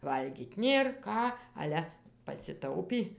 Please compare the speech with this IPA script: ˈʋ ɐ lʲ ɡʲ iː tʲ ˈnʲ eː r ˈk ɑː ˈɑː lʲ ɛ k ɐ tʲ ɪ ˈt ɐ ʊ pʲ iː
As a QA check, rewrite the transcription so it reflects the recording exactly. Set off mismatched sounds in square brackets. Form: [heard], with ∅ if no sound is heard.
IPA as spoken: ˈʋ ɐ lʲ ɡʲ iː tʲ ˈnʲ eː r ˈk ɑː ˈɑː lʲ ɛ [p] ɐ [sʲ] ɪ ˈt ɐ ʊ pʲ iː